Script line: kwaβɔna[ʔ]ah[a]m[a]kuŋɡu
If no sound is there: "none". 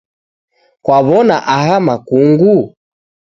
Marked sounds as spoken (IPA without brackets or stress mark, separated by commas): ʔ, a, a